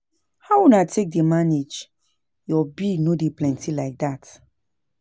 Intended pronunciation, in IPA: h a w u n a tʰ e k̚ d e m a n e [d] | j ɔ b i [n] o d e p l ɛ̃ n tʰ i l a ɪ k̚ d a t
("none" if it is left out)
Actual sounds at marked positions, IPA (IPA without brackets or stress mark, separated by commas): d͡ʒ, n